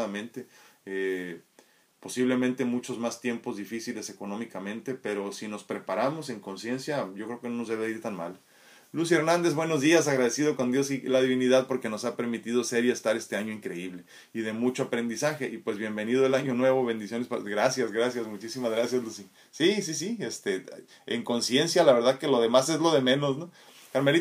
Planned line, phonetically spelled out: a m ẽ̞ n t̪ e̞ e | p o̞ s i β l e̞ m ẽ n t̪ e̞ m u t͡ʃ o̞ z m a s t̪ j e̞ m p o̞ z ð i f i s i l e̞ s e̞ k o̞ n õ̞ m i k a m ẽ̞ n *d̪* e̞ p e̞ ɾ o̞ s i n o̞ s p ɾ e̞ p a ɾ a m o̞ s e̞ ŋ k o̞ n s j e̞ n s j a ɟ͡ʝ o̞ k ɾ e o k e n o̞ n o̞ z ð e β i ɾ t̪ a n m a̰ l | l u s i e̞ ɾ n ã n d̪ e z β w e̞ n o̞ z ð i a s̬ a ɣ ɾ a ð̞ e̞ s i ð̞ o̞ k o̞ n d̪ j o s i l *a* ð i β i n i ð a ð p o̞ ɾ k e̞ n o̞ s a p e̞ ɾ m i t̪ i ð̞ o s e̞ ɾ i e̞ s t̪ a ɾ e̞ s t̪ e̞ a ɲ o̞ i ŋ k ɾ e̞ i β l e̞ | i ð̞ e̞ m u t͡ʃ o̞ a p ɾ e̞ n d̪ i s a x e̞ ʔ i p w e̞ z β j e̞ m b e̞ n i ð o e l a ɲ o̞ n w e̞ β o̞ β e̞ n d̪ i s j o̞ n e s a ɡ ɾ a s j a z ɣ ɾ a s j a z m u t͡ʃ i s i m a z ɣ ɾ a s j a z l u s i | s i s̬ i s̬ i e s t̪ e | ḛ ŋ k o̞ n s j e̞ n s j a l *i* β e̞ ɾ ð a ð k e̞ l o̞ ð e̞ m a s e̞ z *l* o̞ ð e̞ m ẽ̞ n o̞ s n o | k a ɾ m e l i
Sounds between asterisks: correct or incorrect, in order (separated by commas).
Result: incorrect, correct, incorrect, correct